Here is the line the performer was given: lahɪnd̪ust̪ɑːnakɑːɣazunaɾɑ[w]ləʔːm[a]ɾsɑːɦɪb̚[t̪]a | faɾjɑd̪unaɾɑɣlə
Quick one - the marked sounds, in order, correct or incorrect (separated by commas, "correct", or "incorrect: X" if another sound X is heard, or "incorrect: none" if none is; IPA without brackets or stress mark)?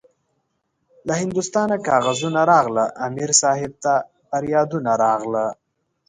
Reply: incorrect: ɣ, incorrect: i, correct